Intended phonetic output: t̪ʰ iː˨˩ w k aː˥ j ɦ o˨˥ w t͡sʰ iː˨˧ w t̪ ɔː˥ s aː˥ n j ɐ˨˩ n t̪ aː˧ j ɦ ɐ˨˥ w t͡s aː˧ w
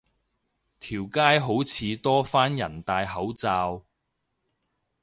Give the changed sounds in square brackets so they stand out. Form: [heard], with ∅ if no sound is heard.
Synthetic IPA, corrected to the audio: t̪ʰ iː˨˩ w k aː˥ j ɦ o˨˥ w t͡sʰ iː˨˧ [∅] t̪ ɔː˥ [f] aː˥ n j ɐ˨˩ n t̪ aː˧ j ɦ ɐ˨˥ w t͡s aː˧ w